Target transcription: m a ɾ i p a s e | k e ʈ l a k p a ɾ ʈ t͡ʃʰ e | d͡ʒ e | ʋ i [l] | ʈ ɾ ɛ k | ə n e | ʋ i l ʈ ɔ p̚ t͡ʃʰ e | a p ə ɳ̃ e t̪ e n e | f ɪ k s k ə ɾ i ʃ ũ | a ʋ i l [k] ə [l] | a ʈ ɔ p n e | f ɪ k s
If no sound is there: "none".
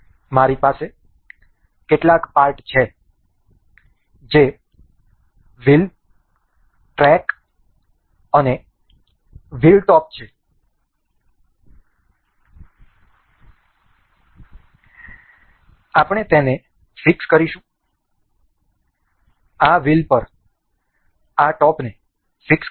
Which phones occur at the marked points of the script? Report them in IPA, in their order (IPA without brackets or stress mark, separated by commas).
l, p, ɾ